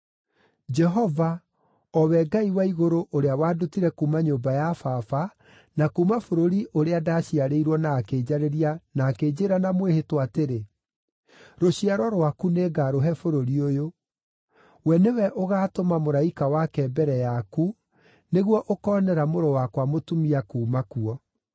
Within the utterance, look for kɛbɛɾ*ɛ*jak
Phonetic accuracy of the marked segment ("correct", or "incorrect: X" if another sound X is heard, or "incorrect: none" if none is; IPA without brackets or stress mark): correct